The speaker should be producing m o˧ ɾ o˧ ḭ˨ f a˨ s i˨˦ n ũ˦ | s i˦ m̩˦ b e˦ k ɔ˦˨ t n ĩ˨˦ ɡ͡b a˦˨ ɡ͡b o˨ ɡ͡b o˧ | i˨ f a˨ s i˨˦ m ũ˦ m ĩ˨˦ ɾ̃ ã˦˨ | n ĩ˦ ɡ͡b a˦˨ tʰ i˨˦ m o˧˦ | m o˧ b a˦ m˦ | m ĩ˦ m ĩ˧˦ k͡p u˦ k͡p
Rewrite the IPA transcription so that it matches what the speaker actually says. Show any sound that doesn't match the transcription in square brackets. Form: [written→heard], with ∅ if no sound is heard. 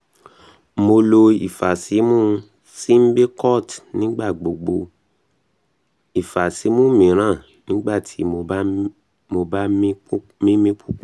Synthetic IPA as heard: m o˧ [ɾ→l] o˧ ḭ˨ f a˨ s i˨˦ [n→m] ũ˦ | s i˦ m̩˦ b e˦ k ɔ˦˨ t n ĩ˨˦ ɡ͡b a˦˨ ɡ͡b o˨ ɡ͡b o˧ | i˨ f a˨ s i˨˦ m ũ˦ m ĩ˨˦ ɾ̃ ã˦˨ | n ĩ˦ ɡ͡b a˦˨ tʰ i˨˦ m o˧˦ | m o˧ b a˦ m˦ | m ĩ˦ m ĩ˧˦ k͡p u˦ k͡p